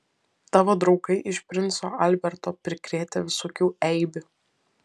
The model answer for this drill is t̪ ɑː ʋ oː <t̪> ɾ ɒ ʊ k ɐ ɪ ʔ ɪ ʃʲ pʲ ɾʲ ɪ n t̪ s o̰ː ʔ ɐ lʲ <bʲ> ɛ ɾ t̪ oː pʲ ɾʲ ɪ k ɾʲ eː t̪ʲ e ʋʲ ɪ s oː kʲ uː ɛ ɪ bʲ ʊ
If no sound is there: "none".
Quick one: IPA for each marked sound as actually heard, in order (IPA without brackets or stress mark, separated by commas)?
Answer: d̪, bʲ